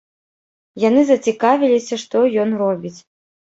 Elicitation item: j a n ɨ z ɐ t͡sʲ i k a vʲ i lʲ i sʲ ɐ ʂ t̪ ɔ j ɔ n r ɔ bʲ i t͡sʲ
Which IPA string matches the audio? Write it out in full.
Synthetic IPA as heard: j a n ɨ z ɐ t͡sʲ i k a vʲ i lʲ i sʲ ɐ ʂ t̪ ɔ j ɔ n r ɔ bʲ i t͡sʲ